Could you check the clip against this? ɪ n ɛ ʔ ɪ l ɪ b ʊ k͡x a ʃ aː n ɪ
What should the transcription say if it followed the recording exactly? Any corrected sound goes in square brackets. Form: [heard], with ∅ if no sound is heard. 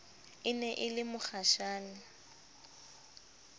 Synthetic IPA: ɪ n ɛ ʔ ɪ l ɪ [m] ʊ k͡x a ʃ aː n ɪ